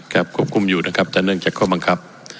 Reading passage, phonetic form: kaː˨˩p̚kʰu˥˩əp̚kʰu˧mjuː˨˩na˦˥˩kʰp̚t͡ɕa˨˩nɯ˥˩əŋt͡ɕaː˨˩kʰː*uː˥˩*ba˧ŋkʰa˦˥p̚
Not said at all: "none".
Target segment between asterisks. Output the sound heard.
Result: ɔː˥˩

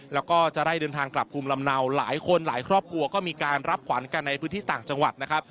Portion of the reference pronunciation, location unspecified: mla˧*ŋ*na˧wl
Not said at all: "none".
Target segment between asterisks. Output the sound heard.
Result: m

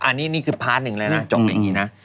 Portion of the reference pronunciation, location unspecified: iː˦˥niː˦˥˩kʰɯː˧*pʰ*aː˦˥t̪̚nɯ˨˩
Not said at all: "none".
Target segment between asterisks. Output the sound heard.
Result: pʰ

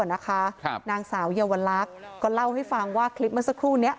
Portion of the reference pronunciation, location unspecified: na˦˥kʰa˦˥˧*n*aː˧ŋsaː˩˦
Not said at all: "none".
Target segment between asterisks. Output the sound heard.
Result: n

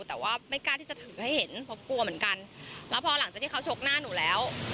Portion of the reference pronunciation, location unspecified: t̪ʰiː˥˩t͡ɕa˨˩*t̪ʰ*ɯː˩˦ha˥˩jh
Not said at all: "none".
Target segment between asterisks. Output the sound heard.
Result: t̪ʰ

